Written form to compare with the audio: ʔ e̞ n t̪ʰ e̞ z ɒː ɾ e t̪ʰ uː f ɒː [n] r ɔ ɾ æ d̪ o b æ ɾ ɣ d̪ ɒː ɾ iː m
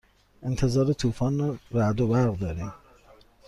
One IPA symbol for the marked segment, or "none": n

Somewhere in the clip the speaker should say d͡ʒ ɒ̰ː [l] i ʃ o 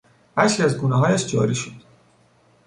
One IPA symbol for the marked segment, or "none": ɾ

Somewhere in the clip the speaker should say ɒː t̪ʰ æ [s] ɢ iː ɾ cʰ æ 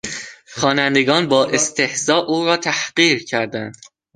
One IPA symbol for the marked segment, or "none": h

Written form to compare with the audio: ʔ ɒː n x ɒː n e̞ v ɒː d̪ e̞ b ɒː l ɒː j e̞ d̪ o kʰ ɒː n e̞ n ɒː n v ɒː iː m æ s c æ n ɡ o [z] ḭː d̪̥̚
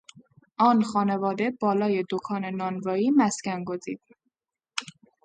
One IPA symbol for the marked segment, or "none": z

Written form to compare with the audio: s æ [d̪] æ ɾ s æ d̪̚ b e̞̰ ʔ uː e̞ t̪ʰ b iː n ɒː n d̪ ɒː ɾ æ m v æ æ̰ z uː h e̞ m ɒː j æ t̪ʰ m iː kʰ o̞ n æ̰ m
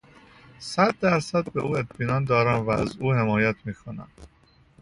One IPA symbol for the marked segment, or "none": d̪ː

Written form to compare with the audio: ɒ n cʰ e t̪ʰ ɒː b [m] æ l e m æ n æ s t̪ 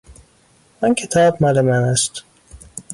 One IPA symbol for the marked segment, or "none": m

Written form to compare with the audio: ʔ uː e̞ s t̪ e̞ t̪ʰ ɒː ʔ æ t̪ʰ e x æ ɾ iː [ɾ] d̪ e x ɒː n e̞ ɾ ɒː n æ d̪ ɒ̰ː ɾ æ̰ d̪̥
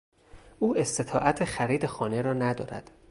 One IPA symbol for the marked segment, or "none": none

